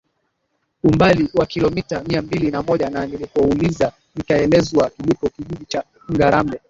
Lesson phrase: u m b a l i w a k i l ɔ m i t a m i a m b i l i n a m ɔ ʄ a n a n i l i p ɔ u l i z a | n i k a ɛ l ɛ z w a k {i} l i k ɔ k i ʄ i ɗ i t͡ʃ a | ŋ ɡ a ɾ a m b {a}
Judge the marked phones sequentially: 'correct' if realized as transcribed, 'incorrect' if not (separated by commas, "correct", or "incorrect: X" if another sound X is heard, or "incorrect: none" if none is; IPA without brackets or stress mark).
correct, incorrect: ɛ